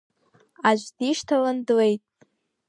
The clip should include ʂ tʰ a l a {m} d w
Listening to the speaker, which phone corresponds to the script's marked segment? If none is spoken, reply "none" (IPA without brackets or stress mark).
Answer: n